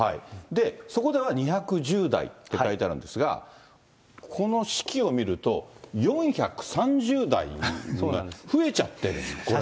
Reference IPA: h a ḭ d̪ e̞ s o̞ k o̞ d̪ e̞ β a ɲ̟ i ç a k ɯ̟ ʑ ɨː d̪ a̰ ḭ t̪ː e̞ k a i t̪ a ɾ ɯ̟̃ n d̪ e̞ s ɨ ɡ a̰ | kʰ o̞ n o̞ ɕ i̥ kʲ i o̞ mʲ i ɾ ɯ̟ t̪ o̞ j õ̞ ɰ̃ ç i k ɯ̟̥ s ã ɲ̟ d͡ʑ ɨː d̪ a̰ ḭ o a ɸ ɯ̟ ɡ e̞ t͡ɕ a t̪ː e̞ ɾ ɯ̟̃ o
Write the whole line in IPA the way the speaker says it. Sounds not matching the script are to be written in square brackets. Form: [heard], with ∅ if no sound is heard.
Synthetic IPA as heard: h a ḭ d̪ e̞ s o̞ k o̞ d̪ e̞ β a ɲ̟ i ç a k ɯ̟ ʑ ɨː d̪ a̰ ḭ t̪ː e̞ k a i t̪ a ɾ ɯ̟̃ n d̪ e̞ s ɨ ɡ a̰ | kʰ o̞ n o̞ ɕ i̥ kʲ i o̞ mʲ i ɾ ɯ̟ t̪ o̞ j õ̞ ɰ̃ ç [a] k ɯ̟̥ s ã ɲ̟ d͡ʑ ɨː d̪ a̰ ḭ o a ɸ ɯ̟ [∅] e̞ t͡ɕ a t̪ː e̞ ɾ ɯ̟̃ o